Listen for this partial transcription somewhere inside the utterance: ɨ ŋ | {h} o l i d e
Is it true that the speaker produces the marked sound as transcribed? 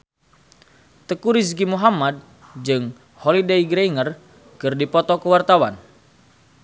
yes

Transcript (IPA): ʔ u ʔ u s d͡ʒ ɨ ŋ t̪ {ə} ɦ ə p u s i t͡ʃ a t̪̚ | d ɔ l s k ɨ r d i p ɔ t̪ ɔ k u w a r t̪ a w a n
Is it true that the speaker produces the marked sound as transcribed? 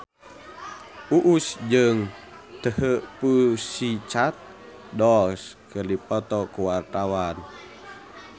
yes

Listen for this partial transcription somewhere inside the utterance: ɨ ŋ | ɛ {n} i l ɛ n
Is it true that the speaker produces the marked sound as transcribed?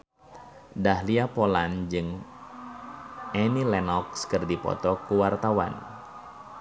yes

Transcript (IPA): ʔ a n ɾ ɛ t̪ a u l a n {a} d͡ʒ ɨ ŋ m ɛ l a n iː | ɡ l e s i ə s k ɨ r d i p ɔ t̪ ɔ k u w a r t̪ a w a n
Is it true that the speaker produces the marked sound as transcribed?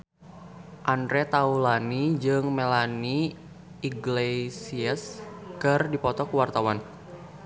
no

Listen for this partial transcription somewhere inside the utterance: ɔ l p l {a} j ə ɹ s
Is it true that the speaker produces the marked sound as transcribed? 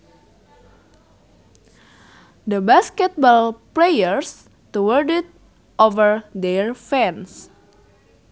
no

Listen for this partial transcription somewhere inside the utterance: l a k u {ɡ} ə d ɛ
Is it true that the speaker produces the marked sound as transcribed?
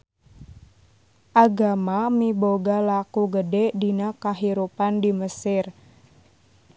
yes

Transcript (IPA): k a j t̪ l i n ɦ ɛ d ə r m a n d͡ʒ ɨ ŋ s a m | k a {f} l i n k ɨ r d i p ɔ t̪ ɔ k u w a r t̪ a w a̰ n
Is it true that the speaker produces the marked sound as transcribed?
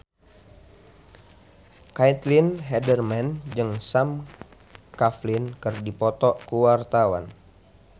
yes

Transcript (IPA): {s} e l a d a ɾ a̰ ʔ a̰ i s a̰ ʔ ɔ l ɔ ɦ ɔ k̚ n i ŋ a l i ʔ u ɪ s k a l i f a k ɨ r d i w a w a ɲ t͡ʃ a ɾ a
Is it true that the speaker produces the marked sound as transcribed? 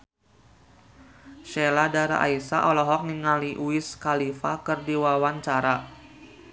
no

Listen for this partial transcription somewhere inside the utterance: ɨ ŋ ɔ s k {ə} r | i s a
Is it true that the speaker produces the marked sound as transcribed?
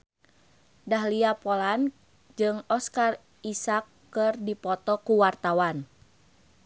no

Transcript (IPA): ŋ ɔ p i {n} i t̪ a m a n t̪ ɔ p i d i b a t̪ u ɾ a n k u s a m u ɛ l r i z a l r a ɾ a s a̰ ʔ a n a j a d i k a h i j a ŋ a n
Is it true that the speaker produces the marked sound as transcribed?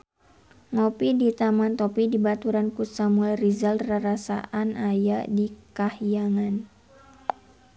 no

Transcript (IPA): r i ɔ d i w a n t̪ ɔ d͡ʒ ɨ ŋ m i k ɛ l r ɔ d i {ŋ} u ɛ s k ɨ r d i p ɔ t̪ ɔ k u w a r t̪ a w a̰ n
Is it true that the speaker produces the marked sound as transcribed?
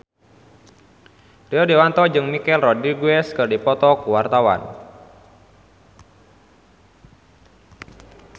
no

